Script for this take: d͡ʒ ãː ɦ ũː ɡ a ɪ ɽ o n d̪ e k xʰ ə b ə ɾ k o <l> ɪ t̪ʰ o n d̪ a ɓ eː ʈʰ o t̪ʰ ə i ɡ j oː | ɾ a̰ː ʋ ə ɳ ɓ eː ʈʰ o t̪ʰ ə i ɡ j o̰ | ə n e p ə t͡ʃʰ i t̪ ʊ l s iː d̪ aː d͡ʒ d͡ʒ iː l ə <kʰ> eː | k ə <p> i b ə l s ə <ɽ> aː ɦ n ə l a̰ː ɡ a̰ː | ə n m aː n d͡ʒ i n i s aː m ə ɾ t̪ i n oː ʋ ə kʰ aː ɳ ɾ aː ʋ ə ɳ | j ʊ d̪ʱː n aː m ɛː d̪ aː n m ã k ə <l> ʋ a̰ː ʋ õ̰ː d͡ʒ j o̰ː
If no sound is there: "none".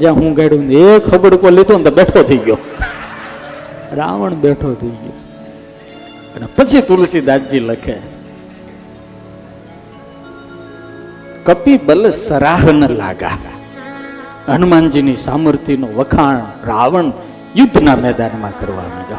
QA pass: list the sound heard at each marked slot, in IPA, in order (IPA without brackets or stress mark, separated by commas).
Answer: l, kʰ, p, ɾ, ɾ